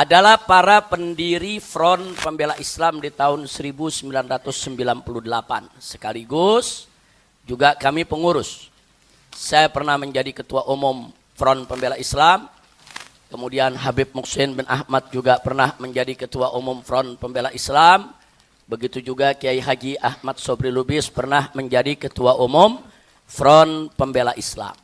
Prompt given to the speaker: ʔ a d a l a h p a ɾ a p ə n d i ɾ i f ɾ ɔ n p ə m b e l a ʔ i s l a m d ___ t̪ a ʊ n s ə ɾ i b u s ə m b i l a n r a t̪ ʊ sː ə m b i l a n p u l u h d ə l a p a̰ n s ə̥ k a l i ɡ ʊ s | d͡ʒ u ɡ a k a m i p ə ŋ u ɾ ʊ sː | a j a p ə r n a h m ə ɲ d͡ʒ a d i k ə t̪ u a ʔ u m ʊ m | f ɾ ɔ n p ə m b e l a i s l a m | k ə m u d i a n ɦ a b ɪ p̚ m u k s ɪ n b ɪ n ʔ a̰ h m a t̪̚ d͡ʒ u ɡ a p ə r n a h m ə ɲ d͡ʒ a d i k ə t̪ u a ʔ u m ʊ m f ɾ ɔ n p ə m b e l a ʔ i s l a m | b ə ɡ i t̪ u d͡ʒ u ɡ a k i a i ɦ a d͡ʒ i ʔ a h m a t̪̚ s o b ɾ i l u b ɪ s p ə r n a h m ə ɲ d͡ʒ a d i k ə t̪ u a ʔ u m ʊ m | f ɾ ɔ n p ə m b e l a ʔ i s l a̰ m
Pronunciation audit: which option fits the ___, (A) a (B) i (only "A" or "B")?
B